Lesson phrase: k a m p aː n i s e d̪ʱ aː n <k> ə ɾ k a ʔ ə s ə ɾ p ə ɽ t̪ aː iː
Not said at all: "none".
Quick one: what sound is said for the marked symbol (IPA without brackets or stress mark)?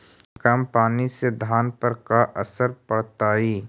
p